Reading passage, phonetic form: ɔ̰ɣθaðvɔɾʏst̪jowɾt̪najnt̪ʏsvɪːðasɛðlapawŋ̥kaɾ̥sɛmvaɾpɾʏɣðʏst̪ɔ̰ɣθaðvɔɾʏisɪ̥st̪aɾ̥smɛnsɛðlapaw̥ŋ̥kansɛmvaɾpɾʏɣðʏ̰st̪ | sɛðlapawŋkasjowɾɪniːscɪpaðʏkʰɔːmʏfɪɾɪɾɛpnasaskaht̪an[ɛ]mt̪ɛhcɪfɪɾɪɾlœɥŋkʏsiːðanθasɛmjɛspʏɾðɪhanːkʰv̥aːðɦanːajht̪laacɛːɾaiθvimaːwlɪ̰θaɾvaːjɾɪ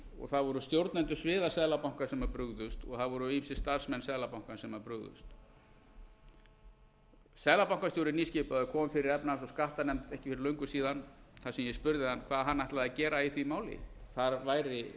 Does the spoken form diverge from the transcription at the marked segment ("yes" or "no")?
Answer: no